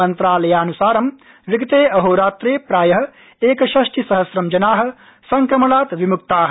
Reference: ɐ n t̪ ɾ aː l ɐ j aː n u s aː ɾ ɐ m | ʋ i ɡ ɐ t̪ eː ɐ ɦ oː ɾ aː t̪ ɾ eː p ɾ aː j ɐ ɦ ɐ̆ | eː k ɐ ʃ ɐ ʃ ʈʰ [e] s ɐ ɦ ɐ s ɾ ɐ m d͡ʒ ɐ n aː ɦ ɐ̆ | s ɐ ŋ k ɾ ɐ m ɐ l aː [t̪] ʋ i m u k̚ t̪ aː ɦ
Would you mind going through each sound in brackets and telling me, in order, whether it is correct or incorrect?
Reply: incorrect, correct

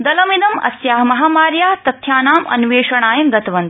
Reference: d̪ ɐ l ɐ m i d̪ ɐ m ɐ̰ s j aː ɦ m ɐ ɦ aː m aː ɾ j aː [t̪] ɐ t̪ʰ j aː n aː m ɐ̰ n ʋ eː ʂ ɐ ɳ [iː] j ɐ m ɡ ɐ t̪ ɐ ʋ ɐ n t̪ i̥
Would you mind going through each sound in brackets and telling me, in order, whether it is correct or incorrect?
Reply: correct, incorrect

